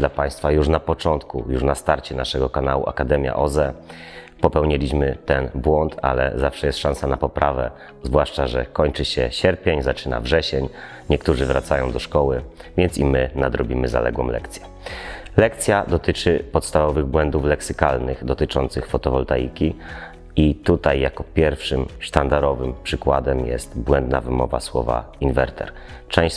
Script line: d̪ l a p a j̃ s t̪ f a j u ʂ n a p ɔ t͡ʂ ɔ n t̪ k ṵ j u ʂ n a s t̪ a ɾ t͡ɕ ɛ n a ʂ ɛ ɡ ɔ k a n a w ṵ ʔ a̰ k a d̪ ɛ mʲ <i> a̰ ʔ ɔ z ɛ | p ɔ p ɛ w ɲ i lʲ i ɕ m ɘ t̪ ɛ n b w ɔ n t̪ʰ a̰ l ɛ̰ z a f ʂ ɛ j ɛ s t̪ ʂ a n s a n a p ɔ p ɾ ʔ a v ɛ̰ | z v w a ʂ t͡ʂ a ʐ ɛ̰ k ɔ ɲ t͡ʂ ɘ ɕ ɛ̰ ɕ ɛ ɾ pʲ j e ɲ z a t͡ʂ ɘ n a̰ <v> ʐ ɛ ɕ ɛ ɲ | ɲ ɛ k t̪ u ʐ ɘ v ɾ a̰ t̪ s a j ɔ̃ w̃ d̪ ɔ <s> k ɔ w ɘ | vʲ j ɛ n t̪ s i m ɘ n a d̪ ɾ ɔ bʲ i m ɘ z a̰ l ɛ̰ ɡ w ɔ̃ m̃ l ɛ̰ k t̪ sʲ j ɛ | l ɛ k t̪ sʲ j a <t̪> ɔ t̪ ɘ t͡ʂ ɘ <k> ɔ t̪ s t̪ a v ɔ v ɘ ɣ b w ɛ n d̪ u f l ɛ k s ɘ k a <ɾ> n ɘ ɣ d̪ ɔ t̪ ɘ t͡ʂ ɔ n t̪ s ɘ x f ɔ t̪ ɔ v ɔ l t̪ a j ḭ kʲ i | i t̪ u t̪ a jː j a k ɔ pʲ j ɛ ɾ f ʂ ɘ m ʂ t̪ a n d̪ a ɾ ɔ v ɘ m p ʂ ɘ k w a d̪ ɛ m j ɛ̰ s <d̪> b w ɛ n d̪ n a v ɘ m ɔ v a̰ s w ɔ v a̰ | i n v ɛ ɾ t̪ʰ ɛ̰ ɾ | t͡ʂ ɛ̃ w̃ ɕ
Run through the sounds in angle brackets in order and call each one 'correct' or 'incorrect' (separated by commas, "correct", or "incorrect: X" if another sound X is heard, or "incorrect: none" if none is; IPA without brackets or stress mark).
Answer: incorrect: j, correct, incorrect: ʂ, incorrect: d̪, incorrect: p, incorrect: l, incorrect: t̪